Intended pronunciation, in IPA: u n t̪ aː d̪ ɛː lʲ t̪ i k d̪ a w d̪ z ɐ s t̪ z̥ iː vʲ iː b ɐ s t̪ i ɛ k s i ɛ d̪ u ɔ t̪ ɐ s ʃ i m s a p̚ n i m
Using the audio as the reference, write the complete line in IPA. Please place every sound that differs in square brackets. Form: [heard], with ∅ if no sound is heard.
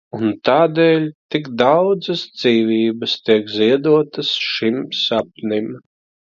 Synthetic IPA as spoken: u n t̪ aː d̪ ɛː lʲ t̪ i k d̪ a w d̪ z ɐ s [d̪] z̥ iː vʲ iː b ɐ s t̪ i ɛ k [z] i ɛ d̪ u ɔ t̪ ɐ s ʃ i m s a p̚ n i m